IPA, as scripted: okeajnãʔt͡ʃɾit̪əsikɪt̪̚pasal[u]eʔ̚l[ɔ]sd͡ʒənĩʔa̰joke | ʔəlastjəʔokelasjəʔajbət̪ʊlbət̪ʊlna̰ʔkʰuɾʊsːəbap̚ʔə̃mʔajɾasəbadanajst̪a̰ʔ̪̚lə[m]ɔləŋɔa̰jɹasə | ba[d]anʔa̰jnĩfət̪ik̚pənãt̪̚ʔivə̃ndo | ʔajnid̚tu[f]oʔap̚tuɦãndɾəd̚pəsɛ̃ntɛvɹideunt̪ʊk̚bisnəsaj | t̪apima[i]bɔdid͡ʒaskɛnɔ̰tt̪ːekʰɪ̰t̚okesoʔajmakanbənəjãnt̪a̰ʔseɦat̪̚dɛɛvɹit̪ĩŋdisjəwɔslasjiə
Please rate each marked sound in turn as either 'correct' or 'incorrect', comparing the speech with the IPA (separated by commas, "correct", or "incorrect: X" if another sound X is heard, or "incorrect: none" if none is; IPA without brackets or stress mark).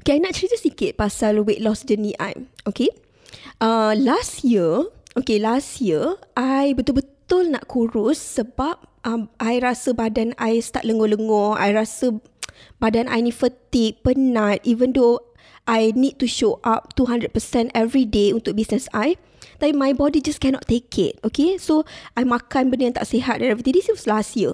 incorrect: w, correct, incorrect: ŋ, correct, incorrect: ʃ, incorrect: j